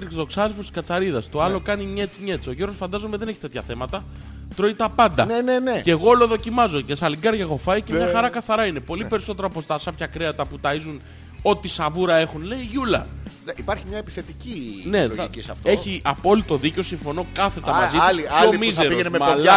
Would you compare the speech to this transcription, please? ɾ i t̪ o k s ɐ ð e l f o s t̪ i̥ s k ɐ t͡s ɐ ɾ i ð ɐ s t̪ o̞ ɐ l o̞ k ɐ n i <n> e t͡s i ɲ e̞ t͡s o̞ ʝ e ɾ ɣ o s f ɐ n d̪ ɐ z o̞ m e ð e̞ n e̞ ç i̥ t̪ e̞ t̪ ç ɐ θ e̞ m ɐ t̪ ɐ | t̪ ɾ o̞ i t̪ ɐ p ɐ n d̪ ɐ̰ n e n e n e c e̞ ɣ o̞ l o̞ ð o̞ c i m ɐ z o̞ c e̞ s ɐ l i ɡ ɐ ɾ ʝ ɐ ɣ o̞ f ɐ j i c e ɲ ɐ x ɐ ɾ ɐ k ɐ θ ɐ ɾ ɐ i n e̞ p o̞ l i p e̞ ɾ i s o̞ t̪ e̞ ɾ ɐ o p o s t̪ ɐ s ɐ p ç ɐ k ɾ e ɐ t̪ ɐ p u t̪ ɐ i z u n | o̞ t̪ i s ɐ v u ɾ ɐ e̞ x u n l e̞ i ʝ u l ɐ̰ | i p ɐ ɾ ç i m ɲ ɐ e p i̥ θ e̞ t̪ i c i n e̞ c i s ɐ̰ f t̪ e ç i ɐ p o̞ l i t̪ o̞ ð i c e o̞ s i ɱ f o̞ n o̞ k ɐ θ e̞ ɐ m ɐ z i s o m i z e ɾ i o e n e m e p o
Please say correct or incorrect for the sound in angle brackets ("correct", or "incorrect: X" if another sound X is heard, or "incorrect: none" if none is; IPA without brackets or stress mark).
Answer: incorrect: ɲ